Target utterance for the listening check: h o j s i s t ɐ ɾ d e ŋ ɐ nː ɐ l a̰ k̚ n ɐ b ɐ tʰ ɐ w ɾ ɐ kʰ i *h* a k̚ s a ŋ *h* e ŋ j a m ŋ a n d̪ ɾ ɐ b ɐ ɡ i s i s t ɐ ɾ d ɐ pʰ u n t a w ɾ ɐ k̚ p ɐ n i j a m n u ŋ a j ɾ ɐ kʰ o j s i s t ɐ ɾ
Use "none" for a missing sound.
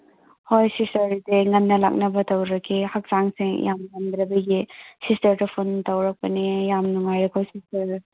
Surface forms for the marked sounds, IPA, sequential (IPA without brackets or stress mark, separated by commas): h, s